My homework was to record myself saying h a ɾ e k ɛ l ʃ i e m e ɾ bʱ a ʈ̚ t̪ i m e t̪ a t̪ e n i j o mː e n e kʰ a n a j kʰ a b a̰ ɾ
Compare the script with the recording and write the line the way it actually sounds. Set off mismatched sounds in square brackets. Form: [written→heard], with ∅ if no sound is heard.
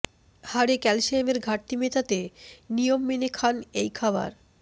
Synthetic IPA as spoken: h a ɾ e k ɛ l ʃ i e m e ɾ [bʱ→ɡʱ] a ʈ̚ t̪ i m e t̪ a t̪ e n i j o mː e n e kʰ a n [a→e] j kʰ a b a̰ ɾ